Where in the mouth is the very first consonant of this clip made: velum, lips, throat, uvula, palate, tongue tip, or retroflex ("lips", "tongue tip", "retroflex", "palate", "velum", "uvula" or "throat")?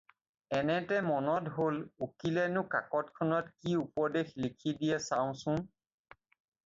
tongue tip